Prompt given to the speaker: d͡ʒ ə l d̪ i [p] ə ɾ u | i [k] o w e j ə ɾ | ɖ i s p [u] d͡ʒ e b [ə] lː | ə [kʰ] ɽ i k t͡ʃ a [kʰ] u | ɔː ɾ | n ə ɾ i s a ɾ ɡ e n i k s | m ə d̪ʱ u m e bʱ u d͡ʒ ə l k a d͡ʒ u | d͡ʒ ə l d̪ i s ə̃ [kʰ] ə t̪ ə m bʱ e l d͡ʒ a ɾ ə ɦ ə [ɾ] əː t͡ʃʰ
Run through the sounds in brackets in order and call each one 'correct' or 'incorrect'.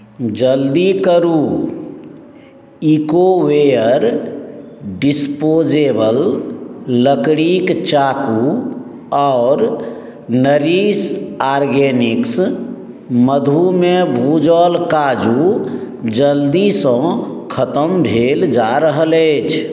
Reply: incorrect: k, correct, incorrect: o, correct, incorrect: k, incorrect: k, correct, incorrect: l

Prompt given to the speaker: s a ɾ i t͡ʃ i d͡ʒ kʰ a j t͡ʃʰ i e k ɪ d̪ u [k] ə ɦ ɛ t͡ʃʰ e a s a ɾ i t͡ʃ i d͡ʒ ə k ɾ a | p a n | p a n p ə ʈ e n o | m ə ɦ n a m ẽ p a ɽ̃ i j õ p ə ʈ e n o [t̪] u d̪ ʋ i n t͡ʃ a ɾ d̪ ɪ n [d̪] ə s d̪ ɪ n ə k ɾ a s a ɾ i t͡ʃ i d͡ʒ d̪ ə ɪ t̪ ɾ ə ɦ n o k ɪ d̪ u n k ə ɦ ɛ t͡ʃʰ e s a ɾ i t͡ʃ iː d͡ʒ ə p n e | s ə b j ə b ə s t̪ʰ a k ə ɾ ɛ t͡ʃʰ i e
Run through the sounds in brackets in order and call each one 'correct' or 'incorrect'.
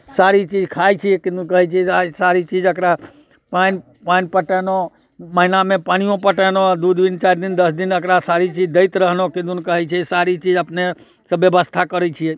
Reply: correct, incorrect: d̪, correct

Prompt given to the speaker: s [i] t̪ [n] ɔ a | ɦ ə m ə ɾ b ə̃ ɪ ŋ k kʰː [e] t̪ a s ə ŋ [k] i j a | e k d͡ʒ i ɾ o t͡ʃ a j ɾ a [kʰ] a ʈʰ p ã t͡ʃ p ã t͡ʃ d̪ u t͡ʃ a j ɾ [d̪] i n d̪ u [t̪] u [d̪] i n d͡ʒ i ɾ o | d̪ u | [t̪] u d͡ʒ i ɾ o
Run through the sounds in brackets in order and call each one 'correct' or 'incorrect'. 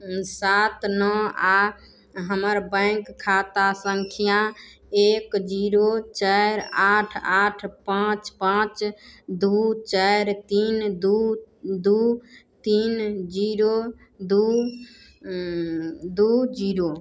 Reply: incorrect: a, correct, incorrect: a, incorrect: kʰ, incorrect: ʈʰ, incorrect: t̪, incorrect: d̪, incorrect: t̪, incorrect: d̪

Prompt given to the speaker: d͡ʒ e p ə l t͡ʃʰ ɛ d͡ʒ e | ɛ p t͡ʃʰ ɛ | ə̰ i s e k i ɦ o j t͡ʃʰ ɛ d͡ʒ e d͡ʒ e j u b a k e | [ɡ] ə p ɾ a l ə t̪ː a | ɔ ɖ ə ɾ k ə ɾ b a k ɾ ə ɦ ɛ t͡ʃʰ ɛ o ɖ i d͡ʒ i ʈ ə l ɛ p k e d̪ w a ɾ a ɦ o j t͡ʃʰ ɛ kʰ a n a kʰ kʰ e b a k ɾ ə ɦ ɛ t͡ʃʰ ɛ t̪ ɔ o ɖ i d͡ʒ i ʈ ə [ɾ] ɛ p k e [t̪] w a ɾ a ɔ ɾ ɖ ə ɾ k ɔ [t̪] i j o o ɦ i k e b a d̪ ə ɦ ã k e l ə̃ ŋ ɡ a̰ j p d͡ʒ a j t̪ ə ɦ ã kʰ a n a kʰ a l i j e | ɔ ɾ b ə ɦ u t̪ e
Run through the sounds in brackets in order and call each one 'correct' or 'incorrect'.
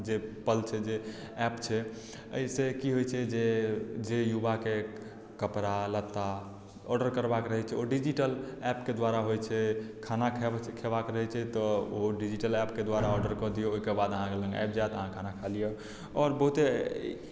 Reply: incorrect: k, incorrect: l, incorrect: d̪, incorrect: d̪

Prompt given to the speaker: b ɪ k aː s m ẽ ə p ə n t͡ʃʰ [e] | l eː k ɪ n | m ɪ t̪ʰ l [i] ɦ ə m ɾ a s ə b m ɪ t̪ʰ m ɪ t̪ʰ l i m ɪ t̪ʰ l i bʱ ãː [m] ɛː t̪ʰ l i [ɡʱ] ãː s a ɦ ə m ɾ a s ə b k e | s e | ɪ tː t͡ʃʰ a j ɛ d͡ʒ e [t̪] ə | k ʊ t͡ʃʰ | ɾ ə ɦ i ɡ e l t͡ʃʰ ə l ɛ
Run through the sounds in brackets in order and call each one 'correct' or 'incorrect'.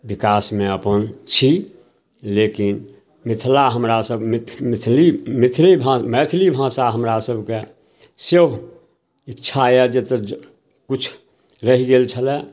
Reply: incorrect: i, incorrect: a, correct, incorrect: bʱ, correct

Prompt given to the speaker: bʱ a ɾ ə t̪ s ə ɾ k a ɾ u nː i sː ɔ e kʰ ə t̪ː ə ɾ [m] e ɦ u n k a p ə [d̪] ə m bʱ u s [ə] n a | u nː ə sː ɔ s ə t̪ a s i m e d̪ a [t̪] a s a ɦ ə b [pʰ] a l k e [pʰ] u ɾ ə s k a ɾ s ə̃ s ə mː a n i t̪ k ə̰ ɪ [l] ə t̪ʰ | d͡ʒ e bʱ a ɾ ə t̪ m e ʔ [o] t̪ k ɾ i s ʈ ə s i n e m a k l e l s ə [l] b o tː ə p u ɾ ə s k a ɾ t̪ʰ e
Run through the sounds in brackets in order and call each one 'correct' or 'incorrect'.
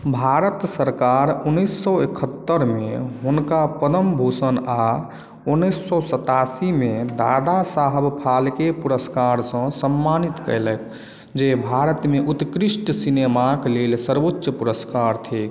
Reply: correct, correct, correct, incorrect: d̪, correct, incorrect: p, correct, incorrect: u, incorrect: ɾ

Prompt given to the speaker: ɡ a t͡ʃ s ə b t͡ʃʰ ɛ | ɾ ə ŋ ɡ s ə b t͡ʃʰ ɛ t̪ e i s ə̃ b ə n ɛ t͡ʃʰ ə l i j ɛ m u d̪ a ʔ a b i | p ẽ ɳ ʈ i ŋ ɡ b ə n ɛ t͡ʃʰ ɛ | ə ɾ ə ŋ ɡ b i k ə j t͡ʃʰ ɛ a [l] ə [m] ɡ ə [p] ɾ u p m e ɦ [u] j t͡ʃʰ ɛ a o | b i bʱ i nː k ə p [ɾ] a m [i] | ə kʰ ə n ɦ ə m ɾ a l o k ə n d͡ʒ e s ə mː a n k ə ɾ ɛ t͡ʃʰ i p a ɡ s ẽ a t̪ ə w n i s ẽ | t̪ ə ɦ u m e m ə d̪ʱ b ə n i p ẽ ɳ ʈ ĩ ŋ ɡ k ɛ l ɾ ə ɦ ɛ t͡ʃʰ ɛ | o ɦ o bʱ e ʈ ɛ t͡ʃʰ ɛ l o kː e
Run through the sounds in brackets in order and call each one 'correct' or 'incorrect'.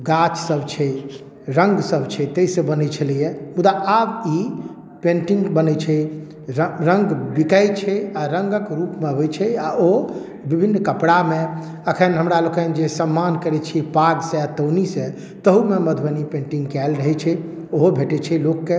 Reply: incorrect: ɾ, incorrect: ŋ, incorrect: k, incorrect: o, incorrect: ɽ, incorrect: e

